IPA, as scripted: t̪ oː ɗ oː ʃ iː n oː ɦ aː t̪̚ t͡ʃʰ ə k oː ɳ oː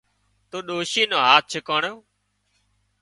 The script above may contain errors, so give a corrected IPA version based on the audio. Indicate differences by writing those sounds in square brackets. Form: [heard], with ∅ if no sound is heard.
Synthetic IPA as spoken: t̪ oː ɗ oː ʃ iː n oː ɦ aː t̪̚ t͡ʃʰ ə k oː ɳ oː